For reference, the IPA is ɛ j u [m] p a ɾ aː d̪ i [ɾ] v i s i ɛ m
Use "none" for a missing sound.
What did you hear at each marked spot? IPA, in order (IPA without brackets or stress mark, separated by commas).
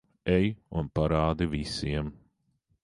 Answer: n, none